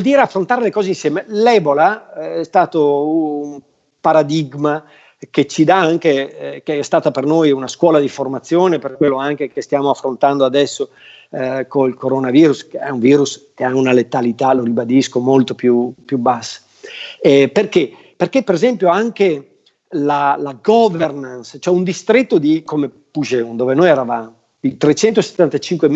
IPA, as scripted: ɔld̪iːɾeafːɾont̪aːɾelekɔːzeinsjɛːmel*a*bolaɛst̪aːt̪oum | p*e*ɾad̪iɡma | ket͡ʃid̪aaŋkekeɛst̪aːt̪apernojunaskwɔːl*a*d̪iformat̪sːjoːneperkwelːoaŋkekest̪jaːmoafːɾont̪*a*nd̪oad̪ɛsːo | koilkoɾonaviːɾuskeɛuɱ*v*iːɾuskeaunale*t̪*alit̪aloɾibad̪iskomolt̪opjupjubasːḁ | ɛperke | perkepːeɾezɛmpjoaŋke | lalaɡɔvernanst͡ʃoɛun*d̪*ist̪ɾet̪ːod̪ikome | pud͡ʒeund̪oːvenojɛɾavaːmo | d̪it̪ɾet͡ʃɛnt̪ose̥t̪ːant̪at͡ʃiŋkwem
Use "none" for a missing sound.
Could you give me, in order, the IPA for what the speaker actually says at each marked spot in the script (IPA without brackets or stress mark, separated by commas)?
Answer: ɛ, a, a, a, v, t̪, d̪